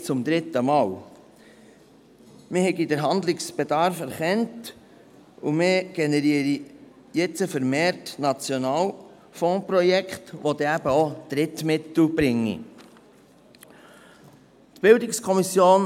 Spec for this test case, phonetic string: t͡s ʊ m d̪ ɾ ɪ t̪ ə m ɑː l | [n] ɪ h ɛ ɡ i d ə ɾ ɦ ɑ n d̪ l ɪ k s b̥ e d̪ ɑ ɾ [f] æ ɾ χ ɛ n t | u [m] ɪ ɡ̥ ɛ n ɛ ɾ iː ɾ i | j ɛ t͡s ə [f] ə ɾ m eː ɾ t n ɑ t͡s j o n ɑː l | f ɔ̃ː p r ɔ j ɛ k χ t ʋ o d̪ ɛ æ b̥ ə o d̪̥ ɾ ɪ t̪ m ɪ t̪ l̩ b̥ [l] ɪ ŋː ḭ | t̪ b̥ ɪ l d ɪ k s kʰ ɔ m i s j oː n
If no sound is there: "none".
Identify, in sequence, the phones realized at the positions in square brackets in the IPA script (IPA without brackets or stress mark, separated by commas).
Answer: m, f, m, f, ɾ